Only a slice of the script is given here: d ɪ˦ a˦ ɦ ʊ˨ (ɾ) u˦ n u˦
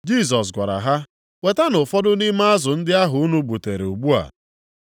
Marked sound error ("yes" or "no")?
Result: yes